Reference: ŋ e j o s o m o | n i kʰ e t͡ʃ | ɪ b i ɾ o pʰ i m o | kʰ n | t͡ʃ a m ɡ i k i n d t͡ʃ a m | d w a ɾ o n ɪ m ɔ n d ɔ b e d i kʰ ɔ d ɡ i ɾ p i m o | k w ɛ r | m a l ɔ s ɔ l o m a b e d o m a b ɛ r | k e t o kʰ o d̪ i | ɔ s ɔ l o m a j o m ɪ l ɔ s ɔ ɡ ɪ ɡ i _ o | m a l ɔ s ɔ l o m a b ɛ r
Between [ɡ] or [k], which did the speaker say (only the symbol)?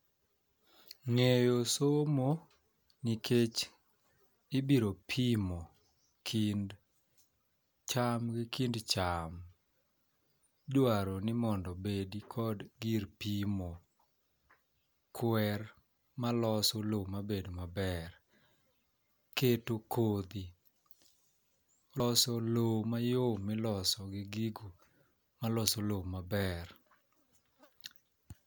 ɡ